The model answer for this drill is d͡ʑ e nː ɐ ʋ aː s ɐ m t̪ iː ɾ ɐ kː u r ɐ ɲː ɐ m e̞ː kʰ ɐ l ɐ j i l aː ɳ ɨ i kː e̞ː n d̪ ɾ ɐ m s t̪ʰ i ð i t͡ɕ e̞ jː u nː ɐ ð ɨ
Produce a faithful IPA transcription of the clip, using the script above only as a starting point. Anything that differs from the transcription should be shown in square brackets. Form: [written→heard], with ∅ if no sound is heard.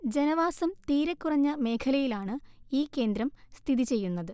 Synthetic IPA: d͡ʑ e [nː→n] ɐ ʋ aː s ɐ m t̪ iː ɾ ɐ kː u r ɐ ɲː ɐ m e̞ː kʰ ɐ l ɐ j i l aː ɳ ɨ [i→iː] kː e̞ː n d̪ ɾ ɐ m s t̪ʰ i ð i t͡ɕ e̞ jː u nː ɐ ð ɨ